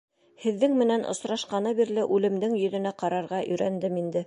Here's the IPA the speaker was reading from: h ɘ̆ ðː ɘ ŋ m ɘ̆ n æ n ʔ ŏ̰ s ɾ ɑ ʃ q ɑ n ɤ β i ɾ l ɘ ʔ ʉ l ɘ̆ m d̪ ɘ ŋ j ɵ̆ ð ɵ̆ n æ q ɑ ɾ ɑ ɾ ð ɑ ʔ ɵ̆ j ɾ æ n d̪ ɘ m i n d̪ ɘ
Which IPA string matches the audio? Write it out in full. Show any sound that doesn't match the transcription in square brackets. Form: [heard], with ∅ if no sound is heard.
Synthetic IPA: h ɘ̆ ðː ɘ ŋ m ɘ̆ n æ n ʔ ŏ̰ s ɾ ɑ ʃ q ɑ n ɤ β i ɾ l ɘ ʔ ʉ l ɘ̆ m d̪ ɘ ŋ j ɵ̆ ð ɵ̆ n æ q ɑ ɾ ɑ ɾ [ʁ] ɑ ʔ ɵ̆ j ɾ æ n d̪ ɘ m i n d̪ ɘ